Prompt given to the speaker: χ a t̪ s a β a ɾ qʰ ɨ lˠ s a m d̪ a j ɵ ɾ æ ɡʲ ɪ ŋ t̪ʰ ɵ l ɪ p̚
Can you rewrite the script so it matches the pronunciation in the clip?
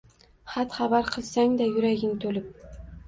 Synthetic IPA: χ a t̪ χ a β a ɾ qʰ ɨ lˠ s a ŋ d̪ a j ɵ ɾ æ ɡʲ ɪ ŋ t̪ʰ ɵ l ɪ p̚